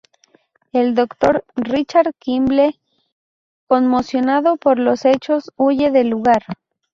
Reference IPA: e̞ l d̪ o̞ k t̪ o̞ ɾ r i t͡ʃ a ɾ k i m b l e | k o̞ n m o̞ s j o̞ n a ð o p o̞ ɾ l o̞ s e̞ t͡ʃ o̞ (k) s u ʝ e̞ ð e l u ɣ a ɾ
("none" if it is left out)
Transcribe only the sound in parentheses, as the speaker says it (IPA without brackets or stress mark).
none